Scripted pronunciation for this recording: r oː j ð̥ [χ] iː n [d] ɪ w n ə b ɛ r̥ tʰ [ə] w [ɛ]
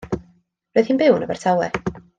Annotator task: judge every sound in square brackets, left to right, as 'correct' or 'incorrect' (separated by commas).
incorrect, incorrect, incorrect, correct